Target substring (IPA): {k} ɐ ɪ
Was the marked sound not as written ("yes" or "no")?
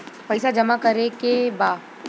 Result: yes